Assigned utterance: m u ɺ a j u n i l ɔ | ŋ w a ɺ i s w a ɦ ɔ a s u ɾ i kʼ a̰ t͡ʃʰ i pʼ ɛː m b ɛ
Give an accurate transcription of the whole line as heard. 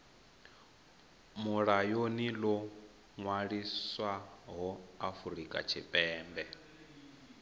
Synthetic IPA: m u ɺ a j o n i l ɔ | ŋ w a ɺ i s w a ɦ ɔ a f u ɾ i kʼ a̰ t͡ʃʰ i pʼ ɛː m b ɛ